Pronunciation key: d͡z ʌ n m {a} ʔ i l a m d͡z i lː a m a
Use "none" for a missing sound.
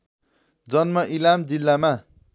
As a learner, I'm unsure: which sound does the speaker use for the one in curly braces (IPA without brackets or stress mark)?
ʌ